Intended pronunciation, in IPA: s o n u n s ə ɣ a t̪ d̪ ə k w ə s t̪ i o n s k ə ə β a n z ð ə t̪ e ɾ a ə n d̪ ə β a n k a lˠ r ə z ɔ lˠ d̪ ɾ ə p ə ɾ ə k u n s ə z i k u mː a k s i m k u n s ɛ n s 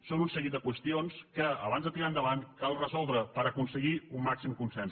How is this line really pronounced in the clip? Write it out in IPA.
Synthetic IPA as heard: s o n u n s ə ɣ i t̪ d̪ ə k w ə s t̪ i o n s k ə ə β a n z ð ə t̪ i ɾ a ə n d̪ ə β a n k a lˠ r ə z ɔ lˠ d̪ ɾ ə p ə ɾ ə k u n s ə ɣ i u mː a k s i m k u n s ɛ n s